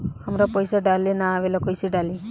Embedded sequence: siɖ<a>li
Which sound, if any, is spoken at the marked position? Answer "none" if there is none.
a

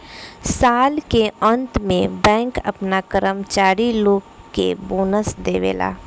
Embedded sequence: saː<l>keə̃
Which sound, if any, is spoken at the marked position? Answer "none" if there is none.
l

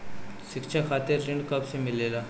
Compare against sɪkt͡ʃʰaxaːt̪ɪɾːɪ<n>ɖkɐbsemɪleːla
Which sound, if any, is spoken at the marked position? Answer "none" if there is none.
ɳ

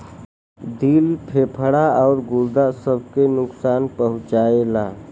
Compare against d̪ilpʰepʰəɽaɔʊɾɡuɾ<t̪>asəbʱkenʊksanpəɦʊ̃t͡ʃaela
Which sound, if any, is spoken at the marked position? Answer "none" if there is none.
d̪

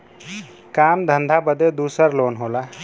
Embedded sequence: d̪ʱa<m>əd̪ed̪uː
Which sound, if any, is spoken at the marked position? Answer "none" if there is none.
b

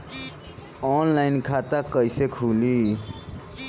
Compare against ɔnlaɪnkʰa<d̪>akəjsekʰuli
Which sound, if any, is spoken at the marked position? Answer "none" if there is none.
t̪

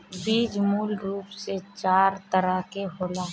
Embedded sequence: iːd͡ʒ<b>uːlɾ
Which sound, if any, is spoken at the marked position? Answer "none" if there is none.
m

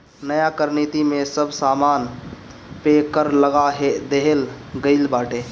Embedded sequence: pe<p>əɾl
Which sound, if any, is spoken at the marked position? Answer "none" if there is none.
k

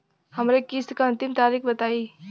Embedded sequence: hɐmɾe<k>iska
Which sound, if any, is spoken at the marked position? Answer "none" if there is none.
k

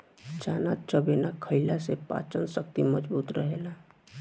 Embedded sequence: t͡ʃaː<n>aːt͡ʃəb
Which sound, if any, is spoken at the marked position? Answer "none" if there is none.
n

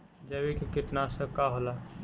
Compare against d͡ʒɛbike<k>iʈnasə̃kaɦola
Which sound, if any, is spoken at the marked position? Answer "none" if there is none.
k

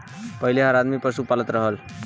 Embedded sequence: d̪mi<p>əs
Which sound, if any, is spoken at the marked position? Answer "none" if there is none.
p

